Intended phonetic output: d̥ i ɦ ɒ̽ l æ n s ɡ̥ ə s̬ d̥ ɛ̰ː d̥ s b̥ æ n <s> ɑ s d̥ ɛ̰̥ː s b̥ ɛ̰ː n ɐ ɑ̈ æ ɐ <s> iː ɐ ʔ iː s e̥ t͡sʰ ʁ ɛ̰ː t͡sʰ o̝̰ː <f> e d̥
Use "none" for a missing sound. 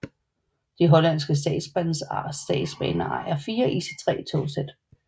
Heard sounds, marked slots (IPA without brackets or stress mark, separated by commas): s, f, s